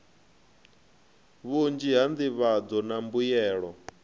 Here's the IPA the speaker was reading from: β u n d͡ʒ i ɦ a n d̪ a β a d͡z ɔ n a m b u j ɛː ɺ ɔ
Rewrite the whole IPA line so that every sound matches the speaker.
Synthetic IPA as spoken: β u n d͡ʒ i ɦ a n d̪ i β a d͡z ɔ n a m b u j ɛː ɺ ɔ